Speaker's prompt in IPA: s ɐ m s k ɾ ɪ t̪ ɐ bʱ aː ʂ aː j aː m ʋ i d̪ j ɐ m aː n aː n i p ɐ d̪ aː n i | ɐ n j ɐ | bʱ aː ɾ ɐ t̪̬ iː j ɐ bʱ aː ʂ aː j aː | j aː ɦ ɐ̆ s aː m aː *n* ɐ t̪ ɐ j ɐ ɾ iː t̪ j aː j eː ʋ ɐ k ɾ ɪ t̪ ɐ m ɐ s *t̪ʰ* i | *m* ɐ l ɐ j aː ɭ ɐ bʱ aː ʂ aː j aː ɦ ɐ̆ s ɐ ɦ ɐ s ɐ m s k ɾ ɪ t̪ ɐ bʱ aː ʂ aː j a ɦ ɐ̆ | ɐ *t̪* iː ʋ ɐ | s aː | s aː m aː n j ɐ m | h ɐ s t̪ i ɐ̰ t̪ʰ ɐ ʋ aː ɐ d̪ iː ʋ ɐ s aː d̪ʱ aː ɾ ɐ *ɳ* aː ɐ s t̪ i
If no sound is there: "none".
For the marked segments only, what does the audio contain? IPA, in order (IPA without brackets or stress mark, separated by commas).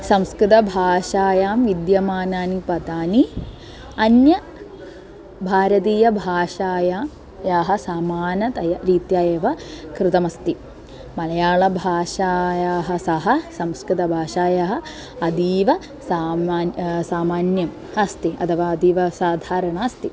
n, t̪, m, d̪, ɳ